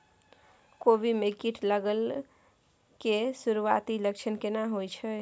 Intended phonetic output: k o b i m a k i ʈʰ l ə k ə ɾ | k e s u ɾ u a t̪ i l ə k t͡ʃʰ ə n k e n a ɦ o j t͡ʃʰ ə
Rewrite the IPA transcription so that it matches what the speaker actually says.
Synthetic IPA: k o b i m e k i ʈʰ l ə ɡ ə l | k e s u ɾ u a t̪ i l ə k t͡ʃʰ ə n k e n a ɦ o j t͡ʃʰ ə